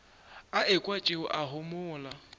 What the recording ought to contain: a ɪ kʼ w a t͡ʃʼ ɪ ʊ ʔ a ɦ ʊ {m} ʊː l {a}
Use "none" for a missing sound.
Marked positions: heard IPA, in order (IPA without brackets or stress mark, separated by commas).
m, a